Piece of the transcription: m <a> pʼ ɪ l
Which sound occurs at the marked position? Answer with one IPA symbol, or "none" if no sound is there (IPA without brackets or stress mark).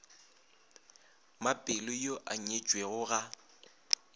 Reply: a